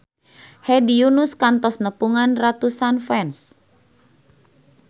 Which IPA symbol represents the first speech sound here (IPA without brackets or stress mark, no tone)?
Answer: h